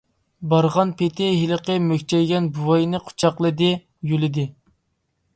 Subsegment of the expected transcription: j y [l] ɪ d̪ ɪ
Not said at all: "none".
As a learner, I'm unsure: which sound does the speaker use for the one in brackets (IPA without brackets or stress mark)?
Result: l